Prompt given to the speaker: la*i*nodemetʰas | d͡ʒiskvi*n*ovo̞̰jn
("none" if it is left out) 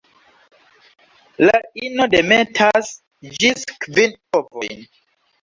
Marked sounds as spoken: i, n

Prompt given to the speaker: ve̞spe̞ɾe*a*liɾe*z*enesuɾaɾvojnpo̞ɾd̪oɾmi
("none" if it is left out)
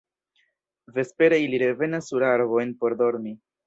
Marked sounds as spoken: i, v

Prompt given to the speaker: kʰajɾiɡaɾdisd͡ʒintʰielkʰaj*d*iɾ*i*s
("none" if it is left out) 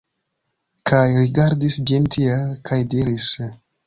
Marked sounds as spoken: d, i

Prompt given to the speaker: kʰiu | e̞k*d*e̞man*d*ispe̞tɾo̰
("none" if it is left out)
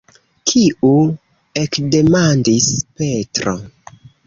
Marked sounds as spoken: d, d

